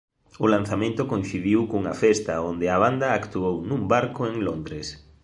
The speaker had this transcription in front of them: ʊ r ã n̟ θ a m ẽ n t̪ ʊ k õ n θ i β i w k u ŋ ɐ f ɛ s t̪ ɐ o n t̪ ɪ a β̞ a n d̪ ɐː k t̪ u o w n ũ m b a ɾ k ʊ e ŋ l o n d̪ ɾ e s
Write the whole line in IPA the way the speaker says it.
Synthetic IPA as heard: ʊ l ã n̟ θ a m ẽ n t̪ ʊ k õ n θ i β i w k u ŋ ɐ f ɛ s t̪ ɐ o n d̪ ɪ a β̞ a n d̪ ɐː k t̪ u o w n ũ m b a ɾ k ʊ e ŋ l o n d̪ ɾ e s

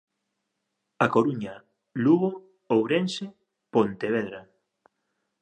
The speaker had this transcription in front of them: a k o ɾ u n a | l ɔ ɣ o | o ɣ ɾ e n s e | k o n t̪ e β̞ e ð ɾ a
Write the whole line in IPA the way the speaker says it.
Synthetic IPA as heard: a k o ɾ u ɲ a | l u ɣ o | o w ɾ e n s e | p o n t̪ e β̞ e ð ɾ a

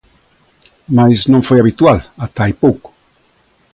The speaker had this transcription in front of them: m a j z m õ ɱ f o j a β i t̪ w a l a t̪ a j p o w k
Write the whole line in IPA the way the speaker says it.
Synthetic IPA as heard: m a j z n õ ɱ f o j a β i t̪ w a l a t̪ a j p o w k

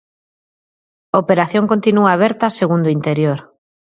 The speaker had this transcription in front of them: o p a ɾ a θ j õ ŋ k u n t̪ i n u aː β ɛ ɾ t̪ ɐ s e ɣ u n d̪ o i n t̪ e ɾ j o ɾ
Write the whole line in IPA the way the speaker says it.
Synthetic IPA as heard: o p e ɾ a θ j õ ŋ k o n t̪ i n u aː β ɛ ɾ t̪ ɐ s e ɣ u n d̪ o i n t̪ e ɾ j o ɾ

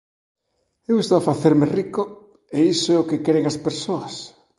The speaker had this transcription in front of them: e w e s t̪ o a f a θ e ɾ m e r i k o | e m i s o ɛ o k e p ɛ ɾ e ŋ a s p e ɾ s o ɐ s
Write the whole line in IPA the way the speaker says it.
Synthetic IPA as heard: e w e s t̪ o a f a θ e ɾ m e r i k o | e i s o ɛ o k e k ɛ ɾ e ŋ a s p e ɾ s o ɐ s

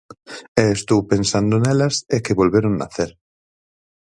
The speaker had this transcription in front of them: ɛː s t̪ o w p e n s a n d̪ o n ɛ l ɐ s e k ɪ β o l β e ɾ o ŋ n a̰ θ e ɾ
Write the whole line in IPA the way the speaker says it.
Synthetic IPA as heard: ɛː s t̪ o w p e n s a n d̪ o n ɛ l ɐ s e k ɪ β o l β e ɾ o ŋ n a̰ θ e ɾ

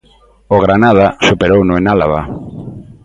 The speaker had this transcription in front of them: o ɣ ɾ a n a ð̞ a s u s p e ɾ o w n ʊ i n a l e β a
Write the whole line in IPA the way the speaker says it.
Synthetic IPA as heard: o ɣ ɾ a n a ð̞ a s u p e ɾ o w n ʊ e n a l a β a

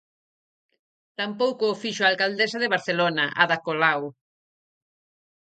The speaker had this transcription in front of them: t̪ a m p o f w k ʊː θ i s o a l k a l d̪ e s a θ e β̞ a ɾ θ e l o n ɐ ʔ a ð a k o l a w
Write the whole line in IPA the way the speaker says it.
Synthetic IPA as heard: t̪ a m p o w k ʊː f i ʃ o a l k a l d̪ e s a ð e β̞ a ɾ θ e l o n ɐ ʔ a ð a k o l a w

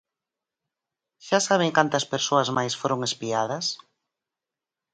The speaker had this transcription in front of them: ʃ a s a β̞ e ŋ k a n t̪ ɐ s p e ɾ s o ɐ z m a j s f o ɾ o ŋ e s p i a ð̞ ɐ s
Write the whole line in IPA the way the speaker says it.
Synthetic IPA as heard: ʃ a s a β̞ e ŋ k a n t̪ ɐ s p e ɾ s o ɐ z m a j s f o ɾ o ŋ e s p i a ð̞ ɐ s

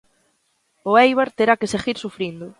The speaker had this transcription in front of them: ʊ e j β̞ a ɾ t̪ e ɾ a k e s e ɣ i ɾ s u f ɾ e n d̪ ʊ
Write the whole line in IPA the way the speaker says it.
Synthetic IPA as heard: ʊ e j β̞ a ɾ t̪ e ɾ a k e s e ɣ i ɾ s u f ɾ i n d̪ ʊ

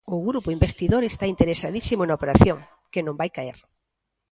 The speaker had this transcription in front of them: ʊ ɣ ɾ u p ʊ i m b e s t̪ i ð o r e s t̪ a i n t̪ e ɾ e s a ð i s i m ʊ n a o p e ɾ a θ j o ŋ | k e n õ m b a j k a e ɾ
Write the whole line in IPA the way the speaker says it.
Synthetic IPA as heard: ʊ ɣ ɾ u p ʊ i m b e s t̪ i ð o ɾ e s t̪ a i n t̪ e ɾ e s a ð i s i m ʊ n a o p e ɾ a θ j o ŋ | k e n õ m b a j k a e ɾ

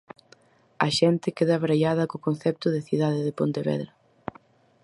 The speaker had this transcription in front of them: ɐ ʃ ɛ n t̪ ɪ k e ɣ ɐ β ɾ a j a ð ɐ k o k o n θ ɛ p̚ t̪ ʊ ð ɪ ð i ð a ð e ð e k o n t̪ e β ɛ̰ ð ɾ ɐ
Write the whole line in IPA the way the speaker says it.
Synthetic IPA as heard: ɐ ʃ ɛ n t̪ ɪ k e ð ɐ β ɾ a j a ð ɐ k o k o n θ ɛ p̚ t̪ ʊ ð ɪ θ i ð a ð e ð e p o n t̪ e β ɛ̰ ð ɾ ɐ

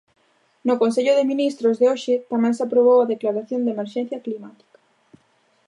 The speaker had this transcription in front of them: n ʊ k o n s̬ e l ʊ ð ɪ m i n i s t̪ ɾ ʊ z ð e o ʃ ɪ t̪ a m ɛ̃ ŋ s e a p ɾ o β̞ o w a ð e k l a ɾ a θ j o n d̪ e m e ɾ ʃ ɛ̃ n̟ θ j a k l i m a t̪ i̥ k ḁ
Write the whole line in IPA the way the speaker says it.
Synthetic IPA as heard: n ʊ k o n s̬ e ʎ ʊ ð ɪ m i n i s t̪ ɾ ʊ z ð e o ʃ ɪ t̪ a m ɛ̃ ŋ s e a p ɾ o β̞ o w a ð e k l a ɾ a θ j o n d̪ e m e ɾ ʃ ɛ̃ n̟ θ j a k l i m a t̪ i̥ k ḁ

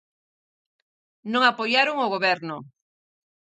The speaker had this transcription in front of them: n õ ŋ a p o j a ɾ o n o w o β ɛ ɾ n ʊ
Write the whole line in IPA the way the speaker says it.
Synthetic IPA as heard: n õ ŋ a p o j a ɾ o ŋ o ɣ o β ɛ ɾ n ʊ

